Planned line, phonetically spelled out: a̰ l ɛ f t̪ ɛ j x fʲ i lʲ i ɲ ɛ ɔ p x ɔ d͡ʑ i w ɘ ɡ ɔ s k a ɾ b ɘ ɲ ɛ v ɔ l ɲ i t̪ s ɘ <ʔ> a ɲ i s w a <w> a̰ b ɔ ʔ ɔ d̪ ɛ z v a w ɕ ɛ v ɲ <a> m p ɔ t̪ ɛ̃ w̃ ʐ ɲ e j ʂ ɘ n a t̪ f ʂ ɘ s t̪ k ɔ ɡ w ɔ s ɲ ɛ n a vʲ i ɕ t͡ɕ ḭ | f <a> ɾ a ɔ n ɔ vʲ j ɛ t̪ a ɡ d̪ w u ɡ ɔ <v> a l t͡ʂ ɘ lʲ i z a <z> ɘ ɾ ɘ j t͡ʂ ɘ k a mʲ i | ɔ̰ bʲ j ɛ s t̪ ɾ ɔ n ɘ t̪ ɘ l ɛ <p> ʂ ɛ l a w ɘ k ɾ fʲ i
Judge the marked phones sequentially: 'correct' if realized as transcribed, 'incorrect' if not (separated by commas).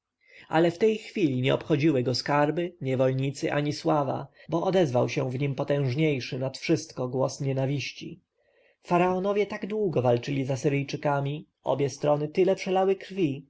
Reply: correct, incorrect, incorrect, correct, correct, incorrect, correct